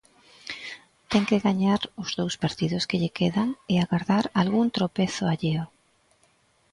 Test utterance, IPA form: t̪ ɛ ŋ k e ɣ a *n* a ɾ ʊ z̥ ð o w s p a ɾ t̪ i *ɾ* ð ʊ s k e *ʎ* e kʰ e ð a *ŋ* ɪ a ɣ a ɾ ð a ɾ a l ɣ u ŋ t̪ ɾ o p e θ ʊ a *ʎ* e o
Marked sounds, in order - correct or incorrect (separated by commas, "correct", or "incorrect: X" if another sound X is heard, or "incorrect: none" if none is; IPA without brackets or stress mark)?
incorrect: ɲ, incorrect: none, correct, correct, correct